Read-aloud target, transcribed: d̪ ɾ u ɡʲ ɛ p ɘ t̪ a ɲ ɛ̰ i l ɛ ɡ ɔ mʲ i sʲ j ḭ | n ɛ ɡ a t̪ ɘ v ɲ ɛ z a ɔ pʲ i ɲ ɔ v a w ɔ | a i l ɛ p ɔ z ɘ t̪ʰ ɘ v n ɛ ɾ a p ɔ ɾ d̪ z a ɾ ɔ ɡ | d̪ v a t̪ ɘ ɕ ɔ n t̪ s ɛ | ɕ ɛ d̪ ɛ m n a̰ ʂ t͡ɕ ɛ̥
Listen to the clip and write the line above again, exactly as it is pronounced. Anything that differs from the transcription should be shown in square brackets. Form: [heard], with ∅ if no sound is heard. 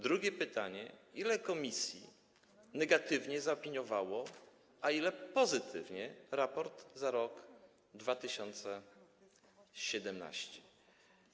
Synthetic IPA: d̪ ɾ u ɡʲ ɛ p ɘ t̪ a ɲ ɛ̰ i l ɛ [k] ɔ mʲ i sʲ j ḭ | n ɛ ɡ a t̪ ɘ v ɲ ɛ z a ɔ pʲ i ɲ ɔ v a w ɔ | a i l ɛ p ɔ z ɘ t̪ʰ ɘ v [ɲ] ɛ ɾ a p ɔ ɾ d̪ z a ɾ ɔ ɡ | d̪ v a t̪ ɘ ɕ ɔ n t̪ s ɛ | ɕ ɛ d̪ ɛ m n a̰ [ɕ] t͡ɕ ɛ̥